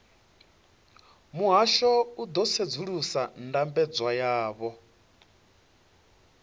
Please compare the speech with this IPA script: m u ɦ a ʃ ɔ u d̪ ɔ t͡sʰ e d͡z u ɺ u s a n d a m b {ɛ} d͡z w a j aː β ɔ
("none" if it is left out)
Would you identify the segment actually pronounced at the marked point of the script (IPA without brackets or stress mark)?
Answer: ɛ